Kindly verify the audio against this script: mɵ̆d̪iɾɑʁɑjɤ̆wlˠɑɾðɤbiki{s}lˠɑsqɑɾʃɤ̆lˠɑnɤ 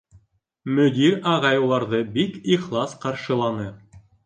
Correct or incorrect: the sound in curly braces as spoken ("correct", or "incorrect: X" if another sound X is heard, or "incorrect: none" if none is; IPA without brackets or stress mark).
incorrect: χ